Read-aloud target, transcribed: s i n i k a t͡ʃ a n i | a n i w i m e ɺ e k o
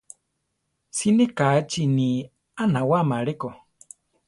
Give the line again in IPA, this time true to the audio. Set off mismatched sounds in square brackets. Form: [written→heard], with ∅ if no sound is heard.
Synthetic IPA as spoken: s i n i k a t͡ʃ [a→i] n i | a n [i→a] w [i→a] m [e→a] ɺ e k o